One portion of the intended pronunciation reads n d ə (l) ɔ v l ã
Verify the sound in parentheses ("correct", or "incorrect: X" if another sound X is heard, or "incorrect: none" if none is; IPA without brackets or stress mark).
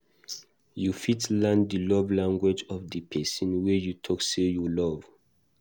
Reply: correct